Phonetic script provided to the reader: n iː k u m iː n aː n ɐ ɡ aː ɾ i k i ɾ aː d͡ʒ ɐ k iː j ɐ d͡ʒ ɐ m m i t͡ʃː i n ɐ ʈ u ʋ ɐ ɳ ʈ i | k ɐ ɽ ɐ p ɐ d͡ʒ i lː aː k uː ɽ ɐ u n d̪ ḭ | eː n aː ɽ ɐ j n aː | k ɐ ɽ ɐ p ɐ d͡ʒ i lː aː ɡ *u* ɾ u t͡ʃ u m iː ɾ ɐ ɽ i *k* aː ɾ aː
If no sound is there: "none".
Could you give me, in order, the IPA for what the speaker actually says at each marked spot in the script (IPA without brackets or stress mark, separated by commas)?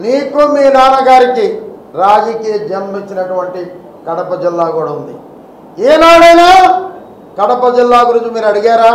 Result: u, ɡ